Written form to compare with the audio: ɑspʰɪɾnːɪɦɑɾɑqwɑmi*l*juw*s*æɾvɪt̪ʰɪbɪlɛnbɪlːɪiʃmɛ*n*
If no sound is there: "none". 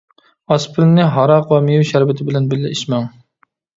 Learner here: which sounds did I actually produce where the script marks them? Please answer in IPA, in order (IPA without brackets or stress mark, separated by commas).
none, ʃ, ŋ